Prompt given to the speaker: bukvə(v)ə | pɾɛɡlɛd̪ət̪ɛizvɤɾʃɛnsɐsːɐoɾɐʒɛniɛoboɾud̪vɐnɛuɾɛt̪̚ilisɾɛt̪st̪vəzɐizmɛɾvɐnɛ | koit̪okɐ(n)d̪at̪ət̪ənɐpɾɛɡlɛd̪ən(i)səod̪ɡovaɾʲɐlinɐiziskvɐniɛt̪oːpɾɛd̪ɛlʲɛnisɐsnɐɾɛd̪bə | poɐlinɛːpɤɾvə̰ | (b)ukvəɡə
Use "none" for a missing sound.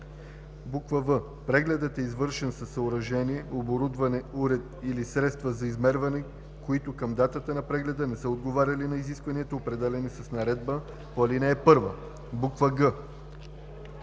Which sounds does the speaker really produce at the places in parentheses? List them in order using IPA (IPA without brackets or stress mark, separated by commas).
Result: v, m, ɛ, b